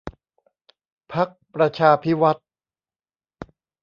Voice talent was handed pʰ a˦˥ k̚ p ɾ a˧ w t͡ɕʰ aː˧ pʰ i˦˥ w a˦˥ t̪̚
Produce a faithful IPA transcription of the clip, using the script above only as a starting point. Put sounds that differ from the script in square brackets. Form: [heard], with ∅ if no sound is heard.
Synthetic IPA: pʰ a˦˥ k̚ p ɾ a˧ [∅] t͡ɕʰ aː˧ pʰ i˦˥ w a˦˥ t̪̚